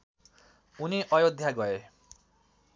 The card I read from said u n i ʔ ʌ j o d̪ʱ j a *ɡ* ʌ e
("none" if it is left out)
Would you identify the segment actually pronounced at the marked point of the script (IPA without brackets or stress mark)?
ɡ